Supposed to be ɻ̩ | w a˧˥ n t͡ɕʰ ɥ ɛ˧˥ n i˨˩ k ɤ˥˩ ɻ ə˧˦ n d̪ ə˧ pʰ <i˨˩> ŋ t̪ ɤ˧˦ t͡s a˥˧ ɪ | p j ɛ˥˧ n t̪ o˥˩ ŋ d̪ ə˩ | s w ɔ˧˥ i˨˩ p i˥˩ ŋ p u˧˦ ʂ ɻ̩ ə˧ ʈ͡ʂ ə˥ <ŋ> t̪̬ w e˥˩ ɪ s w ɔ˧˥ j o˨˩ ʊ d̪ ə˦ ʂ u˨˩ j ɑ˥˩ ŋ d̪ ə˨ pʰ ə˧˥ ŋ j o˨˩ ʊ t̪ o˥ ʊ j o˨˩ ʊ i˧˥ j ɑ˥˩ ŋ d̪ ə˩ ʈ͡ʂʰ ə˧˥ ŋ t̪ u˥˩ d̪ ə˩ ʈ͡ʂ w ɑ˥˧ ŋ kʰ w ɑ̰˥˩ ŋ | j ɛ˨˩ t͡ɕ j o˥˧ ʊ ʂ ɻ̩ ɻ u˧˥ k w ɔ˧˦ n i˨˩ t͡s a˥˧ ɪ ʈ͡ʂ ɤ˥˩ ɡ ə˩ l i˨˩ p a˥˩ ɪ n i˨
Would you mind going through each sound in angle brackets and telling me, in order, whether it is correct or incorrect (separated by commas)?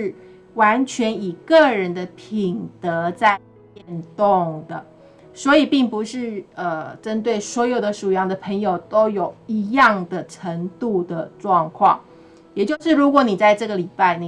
correct, incorrect